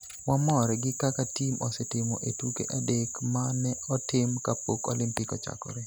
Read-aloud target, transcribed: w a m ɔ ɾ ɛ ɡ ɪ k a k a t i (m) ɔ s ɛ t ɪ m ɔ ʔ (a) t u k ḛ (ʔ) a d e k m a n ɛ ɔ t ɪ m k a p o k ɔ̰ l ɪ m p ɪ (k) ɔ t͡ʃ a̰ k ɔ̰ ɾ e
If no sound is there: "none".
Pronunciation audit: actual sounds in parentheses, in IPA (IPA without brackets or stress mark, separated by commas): m, e, ʔ, k